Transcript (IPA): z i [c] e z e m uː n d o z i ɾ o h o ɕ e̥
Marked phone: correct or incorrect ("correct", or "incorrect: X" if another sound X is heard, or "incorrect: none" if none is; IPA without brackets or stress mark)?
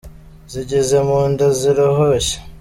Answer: incorrect: ɟ